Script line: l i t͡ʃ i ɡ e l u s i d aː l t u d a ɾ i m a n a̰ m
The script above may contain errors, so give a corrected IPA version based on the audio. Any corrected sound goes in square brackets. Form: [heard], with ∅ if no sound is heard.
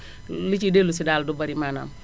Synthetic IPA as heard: l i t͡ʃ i [d] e l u s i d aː l [d] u [b] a ɾ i m a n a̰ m